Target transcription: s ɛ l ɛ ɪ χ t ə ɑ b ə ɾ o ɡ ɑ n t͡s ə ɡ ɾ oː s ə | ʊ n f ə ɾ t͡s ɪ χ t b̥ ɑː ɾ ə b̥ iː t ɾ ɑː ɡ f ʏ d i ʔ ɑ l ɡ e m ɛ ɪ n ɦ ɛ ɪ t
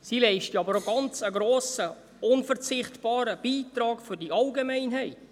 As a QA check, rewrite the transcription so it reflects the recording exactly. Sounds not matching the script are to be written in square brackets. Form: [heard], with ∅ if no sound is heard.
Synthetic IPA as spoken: s [i] l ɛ ɪ [ʃ] t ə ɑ b ə ɾ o ɡ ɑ n t͡s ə ɡ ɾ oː s ə | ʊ n f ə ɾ t͡s ɪ χ t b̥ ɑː ɾ ə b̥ iː t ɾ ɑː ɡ f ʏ d i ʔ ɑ l ɡ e m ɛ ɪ n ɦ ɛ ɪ t